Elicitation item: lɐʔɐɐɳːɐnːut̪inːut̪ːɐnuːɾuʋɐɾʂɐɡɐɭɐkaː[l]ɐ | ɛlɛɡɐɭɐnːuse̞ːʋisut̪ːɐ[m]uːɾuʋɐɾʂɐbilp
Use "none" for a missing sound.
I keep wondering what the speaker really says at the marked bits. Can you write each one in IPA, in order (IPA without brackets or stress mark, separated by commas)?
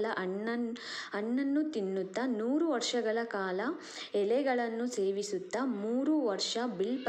l, m